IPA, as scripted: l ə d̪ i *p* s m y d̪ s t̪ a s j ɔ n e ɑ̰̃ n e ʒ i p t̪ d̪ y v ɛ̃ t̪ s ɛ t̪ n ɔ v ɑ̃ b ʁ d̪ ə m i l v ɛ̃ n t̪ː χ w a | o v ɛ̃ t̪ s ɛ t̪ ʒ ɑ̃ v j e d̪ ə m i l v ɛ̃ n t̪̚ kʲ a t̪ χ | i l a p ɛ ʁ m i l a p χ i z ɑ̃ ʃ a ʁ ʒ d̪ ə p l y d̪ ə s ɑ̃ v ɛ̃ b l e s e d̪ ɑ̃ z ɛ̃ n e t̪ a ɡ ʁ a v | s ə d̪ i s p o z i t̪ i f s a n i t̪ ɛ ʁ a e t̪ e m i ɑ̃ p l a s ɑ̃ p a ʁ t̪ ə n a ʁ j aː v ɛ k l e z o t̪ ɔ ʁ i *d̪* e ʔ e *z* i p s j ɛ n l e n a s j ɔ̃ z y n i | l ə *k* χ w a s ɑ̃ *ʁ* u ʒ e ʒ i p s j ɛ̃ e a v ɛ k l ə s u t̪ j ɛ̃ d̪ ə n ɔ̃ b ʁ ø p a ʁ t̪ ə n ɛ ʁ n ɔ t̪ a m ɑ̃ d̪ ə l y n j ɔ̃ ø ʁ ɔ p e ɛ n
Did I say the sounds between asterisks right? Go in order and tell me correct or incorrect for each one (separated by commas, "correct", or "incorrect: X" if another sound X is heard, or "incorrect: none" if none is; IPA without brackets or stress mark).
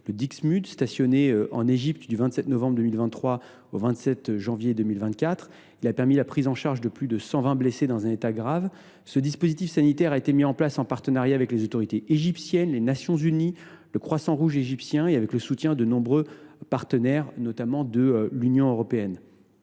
incorrect: k, incorrect: t̪, incorrect: ʒ, correct, correct